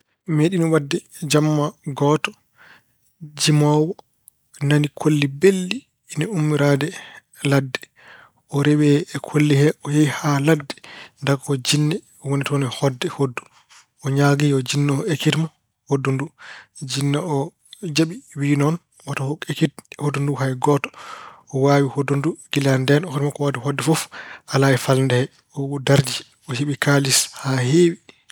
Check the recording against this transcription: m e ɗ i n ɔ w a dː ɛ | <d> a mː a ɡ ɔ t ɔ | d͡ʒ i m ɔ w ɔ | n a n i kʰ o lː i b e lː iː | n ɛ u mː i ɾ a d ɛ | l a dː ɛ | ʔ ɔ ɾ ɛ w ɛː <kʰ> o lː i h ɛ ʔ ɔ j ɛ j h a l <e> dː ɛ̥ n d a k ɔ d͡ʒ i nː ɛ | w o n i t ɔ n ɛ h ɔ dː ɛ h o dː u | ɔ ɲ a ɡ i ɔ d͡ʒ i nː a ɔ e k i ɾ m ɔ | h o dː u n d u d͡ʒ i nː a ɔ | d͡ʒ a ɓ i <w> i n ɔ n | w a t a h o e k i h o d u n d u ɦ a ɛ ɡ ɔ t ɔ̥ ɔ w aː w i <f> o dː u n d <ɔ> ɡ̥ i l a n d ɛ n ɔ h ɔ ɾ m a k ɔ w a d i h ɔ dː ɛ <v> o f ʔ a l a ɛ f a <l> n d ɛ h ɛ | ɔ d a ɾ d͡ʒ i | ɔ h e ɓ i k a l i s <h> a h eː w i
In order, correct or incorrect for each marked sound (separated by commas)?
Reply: incorrect, correct, incorrect, correct, incorrect, incorrect, incorrect, correct, correct